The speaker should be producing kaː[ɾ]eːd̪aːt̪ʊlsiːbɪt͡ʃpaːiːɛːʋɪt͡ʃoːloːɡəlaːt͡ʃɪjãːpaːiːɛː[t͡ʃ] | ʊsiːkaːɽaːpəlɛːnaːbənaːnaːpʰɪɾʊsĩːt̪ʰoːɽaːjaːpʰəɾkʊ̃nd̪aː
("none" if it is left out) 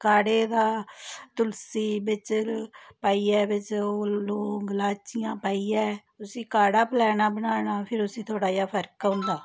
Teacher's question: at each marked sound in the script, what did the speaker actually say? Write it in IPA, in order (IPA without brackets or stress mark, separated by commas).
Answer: ɽ, none